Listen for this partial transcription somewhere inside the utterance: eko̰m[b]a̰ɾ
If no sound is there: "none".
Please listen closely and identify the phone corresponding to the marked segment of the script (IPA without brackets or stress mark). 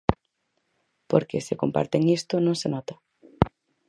p